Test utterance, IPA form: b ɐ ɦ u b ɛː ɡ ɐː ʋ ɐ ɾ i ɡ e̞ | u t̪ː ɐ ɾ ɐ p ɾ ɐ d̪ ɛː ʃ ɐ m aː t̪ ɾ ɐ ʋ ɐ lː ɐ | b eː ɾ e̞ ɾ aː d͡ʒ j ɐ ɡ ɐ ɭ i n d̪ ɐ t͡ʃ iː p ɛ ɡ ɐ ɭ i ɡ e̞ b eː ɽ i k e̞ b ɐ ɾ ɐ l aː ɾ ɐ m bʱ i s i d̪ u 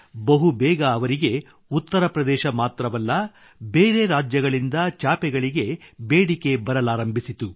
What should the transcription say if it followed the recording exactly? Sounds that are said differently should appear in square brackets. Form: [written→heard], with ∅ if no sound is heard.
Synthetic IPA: b ɐ ɦ u b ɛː ɡ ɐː ʋ ɐ ɾ i ɡ e̞ | u t̪ː ɐ ɾ ɐ p ɾ ɐ d̪ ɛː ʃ ɐ m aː t̪ ɾ ɐ ʋ ɐ lː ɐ | b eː ɾ e̞ ɾ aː d͡ʒ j ɐ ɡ ɐ ɭ i n d̪ ɐ t͡ʃ [iː→aː] p ɛ ɡ ɐ ɭ i ɡ e̞ b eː ɽ i k e̞ b ɐ ɾ ɐ l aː ɾ ɐ m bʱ i s i [d̪→t̪] u